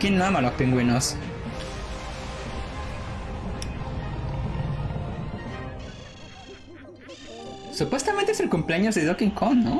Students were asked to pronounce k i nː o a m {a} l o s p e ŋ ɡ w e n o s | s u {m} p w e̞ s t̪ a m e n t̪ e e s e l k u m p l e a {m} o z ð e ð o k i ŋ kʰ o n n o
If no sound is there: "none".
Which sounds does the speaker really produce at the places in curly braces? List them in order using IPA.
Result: a, none, ɲ

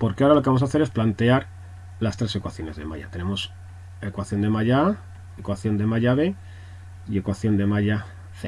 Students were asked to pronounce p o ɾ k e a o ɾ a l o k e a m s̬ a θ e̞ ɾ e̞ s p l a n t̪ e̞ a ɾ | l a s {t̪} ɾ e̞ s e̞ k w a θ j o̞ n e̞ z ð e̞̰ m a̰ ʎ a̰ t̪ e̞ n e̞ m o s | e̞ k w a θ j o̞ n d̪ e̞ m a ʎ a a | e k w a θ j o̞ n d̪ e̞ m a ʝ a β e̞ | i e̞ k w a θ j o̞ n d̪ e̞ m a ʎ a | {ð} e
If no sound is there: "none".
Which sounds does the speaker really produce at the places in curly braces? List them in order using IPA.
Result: t̪, θ

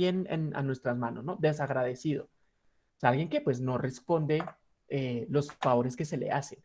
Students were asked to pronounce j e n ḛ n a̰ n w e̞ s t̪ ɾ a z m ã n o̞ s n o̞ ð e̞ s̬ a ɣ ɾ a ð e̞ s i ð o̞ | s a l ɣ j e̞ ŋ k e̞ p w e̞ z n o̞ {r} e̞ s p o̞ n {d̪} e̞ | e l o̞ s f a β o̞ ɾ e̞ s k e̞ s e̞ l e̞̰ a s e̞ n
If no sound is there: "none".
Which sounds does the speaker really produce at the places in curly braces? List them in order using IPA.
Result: r, d̪

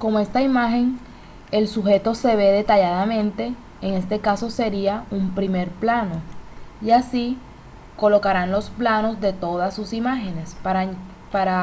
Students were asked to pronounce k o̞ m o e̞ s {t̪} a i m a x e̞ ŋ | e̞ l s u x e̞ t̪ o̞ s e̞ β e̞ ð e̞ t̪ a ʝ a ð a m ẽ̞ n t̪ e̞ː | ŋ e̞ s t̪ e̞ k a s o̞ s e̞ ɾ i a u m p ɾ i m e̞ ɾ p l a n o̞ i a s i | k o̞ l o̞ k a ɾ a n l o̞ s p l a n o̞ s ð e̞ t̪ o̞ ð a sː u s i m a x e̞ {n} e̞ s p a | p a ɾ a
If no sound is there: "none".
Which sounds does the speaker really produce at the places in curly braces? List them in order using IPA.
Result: t̪, n

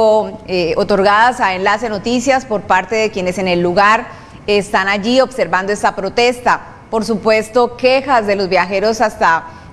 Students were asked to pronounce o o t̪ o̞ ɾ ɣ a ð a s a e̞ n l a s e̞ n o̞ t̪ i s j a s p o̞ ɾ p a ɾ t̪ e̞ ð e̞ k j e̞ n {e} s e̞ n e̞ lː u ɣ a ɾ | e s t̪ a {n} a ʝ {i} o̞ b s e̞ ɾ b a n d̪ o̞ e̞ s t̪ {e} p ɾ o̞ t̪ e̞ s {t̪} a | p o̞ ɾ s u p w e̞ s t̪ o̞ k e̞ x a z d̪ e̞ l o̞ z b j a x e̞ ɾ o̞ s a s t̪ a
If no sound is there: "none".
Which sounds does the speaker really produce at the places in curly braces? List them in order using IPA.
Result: e, n, i, a, t̪

